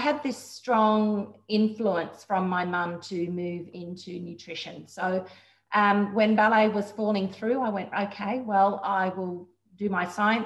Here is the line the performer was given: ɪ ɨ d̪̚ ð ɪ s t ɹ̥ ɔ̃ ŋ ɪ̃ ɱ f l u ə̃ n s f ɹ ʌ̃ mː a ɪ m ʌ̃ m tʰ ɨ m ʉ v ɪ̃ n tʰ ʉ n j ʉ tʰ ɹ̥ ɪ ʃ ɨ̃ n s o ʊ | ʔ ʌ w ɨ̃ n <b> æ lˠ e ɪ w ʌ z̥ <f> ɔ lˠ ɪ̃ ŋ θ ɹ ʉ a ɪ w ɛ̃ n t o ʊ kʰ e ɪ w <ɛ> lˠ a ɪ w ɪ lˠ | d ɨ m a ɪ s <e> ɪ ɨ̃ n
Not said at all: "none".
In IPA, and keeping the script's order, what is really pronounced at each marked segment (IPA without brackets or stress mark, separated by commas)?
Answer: b, f, ɛ, a